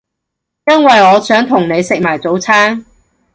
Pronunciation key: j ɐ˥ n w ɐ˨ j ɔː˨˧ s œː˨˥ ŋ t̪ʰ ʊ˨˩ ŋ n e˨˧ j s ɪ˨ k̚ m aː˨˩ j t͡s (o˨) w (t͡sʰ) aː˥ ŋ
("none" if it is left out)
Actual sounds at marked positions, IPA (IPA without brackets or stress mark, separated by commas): o˨˥, t͡sʰ